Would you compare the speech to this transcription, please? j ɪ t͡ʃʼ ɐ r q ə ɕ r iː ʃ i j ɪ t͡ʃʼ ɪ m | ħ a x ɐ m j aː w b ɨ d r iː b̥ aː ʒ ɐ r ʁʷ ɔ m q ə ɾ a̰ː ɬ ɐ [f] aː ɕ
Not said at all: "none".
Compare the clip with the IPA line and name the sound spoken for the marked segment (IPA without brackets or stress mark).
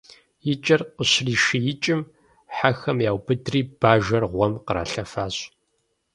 f